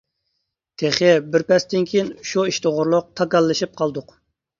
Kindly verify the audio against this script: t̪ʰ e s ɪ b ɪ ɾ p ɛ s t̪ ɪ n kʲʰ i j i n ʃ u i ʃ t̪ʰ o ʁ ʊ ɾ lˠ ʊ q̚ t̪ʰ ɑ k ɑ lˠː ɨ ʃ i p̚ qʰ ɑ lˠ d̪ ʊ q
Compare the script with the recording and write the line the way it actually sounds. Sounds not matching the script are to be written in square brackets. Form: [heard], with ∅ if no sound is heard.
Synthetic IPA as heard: t̪ʰ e [χ] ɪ b ɪ ɾ p ɛ s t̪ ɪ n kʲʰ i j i n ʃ u i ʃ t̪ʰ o ʁ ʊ ɾ lˠ ʊ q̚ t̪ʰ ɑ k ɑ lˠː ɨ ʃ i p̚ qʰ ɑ lˠ d̪ ʊ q

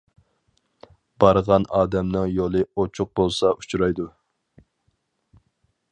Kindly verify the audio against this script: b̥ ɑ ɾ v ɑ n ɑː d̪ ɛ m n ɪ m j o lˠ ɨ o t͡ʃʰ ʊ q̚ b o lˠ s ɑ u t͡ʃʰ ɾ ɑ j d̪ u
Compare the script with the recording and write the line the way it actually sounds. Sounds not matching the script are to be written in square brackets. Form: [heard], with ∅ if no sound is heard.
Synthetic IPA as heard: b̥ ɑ ɾ [ʁ] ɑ n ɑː d̪ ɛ m n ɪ [ŋ] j o lˠ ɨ o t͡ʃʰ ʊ q̚ b o lˠ s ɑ u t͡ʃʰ ɾ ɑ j d̪ u

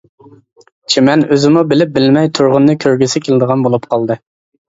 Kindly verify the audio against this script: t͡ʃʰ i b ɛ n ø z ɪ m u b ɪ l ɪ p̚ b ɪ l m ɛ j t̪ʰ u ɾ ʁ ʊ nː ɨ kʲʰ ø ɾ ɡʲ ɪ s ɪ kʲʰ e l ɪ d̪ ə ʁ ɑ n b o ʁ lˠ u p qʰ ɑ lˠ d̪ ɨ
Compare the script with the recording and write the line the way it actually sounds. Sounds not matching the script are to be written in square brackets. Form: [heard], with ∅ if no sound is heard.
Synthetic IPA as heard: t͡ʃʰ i [m] ɛ n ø z ɪ m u b ɪ l ɪ p̚ b ɪ l m ɛ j t̪ʰ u ɾ ʁ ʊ nː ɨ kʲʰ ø ɾ ɡʲ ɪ s ɪ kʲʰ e l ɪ d̪ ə ʁ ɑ n b o [∅] lˠ u p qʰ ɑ lˠ d̪ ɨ

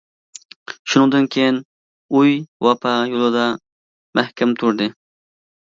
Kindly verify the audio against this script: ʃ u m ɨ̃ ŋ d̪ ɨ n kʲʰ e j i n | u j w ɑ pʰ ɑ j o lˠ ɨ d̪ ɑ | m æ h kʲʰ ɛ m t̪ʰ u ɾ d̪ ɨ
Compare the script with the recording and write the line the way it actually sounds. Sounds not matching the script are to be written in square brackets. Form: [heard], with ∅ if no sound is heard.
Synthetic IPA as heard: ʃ u [n] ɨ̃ ŋ d̪ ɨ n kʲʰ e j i n | u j w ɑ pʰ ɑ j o lˠ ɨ d̪ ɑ | m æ h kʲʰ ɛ m t̪ʰ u ɾ d̪ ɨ

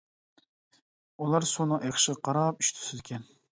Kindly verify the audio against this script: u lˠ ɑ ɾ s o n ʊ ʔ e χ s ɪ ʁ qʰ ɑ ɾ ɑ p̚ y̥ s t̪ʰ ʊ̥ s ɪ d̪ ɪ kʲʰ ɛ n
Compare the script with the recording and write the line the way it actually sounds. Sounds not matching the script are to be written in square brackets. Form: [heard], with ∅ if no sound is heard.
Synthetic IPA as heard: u lˠ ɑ ɾ s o n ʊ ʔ e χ [ʃ] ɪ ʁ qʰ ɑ ɾ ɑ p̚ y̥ [ʃ] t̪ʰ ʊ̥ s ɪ d̪ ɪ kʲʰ ɛ n

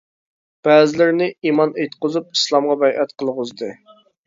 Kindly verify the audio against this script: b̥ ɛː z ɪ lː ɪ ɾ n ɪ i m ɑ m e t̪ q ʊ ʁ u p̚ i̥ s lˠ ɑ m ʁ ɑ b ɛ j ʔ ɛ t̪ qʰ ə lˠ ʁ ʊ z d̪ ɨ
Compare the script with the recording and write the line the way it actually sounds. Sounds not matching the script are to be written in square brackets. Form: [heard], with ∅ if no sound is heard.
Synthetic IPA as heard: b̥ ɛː z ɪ [l] ɪ ɾ n ɪ i m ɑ [n] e t̪ q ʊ [z] u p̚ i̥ s lˠ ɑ m ʁ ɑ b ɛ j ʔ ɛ t̪ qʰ ə lˠ ʁ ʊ z d̪ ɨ

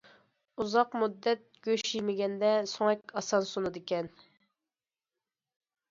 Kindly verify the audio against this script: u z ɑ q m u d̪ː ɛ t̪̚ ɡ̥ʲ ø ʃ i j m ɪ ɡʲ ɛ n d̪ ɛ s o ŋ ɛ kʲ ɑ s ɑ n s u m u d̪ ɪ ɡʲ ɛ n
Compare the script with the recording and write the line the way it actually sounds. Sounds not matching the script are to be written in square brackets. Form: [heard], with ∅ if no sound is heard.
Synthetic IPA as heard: u z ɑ q m u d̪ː ɛ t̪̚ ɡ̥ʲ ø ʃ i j m ɪ ɡʲ ɛ n d̪ ɛ s o ŋ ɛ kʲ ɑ s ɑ n s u [n] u d̪ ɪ [kʲ] ɛ n

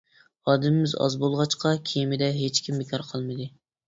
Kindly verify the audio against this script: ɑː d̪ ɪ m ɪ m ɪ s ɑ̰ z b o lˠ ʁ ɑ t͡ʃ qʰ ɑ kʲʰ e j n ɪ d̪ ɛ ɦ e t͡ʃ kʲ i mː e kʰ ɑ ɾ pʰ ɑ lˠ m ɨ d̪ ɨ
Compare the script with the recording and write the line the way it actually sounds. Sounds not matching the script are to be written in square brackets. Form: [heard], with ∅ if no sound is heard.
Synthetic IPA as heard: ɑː d̪ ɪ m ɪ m ɪ [z] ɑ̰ z b o lˠ ʁ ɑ t͡ʃ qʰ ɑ kʲʰ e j [m] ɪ d̪ ɛ ɦ e t͡ʃ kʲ i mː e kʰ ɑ ɾ [qʰ] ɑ lˠ m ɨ d̪ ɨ

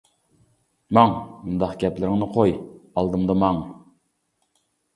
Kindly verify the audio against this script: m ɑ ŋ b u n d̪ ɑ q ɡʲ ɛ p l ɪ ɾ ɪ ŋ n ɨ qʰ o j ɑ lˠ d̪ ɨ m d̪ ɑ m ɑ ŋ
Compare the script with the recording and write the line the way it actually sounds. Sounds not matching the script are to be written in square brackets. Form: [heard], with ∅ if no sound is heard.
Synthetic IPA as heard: m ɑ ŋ [m] u n d̪ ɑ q ɡʲ ɛ p l ɪ ɾ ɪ ŋ n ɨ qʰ o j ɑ lˠ d̪ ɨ m d̪ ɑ m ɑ ŋ

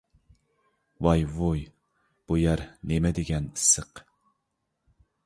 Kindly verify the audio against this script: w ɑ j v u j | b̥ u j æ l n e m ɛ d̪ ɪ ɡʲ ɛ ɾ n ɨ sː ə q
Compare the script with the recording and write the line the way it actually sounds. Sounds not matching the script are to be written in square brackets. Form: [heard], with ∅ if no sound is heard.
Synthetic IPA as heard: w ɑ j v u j | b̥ u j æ [ɾ] n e m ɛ d̪ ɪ ɡʲ ɛ [∅] n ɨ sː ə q

